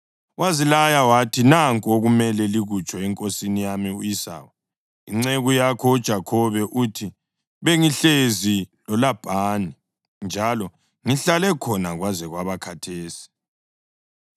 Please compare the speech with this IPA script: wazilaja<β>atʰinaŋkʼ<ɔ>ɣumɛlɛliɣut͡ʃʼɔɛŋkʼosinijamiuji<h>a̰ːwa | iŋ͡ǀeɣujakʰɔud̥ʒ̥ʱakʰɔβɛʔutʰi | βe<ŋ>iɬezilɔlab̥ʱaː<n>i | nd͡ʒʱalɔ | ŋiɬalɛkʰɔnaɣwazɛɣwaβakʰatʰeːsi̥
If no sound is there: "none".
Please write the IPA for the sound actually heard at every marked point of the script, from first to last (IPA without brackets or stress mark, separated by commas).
w, o, s, ŋ, n